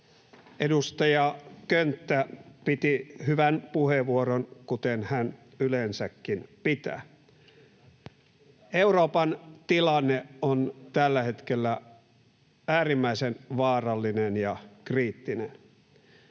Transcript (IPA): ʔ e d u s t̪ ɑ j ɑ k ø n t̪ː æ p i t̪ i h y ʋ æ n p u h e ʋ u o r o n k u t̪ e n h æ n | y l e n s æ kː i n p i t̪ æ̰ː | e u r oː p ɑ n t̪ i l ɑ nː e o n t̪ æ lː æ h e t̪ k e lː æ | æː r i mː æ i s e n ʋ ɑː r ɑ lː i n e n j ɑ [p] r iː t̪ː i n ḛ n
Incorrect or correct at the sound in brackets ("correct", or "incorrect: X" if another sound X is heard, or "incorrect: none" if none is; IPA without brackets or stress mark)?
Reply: incorrect: k